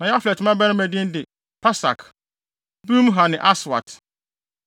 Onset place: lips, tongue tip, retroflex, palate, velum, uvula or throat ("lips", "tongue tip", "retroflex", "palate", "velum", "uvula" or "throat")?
tongue tip